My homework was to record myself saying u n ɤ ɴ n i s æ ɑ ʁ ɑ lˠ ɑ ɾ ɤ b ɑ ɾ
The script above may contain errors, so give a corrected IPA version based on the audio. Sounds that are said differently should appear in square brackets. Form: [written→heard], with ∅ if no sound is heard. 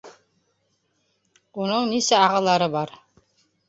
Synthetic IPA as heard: u n ɤ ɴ n i s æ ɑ ʁ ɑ lˠ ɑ ɾ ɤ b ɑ ɾ